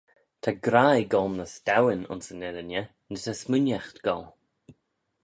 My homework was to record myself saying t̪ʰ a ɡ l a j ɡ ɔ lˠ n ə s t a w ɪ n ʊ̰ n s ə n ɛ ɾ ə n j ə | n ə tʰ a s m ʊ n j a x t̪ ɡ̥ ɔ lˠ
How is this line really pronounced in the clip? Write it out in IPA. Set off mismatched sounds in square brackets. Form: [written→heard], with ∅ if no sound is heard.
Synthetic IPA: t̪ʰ a ɡ [l→ɾ] a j ɡ ɔ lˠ n ə s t a w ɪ n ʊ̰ n s ə n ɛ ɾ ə n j ə | n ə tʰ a s m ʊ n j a x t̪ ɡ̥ ɔ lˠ